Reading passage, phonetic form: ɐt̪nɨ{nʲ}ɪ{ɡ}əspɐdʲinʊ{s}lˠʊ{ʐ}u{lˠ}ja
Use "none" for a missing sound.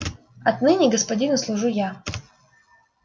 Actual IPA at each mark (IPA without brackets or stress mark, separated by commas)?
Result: nʲ, ɡ, s, ʐ, none